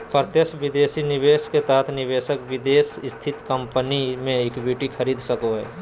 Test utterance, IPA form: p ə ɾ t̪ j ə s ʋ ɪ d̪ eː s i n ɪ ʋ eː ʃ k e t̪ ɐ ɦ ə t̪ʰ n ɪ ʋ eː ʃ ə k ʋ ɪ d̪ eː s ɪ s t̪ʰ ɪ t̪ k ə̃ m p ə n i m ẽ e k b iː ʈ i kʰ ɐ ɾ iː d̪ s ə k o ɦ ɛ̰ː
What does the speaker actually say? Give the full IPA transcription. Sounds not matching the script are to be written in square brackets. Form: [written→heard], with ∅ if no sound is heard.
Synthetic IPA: p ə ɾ t̪ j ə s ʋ ɪ d̪ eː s i n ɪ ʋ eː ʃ k e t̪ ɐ ɦ ə t̪ʰ n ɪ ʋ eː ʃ ə k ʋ ɪ d̪ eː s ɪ s t̪ʰ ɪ t̪ k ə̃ m p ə n i m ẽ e k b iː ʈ i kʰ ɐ ɾ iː d̪ s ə k o ɦ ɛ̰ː